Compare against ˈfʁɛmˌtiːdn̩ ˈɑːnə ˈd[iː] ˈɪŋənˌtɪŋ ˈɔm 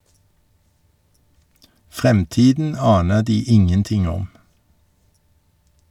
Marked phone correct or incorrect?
correct